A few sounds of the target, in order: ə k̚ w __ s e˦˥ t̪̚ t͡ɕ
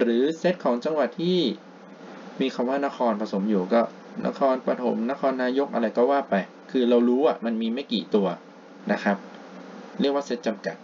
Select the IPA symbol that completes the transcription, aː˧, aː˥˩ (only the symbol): aː˥˩